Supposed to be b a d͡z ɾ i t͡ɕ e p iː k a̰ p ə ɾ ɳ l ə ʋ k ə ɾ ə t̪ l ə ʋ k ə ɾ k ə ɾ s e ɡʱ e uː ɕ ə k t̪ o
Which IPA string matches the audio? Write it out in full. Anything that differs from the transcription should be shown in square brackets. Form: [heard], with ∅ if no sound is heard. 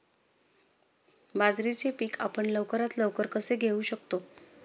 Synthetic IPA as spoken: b a d͡z ɾ i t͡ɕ e p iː k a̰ p ə [∅] ɳ l ə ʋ k ə ɾ [a] t̪ l ə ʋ k ə ɾ k ə [∅] s e ɡʱ e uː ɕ ə k t̪ o